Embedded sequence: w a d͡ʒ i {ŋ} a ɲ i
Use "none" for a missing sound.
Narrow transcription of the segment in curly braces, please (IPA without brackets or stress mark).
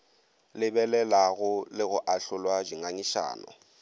ŋ